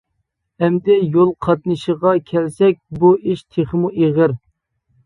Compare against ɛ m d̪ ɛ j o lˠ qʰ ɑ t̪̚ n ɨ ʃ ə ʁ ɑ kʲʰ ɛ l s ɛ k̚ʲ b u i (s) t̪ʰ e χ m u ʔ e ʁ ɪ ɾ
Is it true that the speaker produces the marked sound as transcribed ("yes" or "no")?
no